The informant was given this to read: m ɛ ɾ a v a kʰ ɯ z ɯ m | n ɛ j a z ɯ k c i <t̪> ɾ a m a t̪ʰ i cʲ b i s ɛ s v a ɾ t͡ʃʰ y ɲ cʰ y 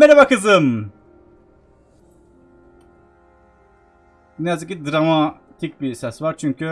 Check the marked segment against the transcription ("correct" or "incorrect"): incorrect